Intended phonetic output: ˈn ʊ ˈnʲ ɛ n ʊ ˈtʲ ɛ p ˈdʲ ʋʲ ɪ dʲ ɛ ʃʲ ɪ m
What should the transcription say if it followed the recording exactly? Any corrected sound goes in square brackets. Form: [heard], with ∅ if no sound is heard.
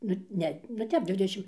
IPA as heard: ˈn ʊ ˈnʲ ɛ n ʊ ˈtʲ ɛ p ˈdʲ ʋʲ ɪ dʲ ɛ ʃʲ ɪ m